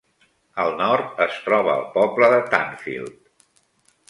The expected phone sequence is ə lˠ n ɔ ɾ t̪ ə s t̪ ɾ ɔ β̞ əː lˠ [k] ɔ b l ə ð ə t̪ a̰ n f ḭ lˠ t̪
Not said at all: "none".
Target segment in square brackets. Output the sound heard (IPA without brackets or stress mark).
p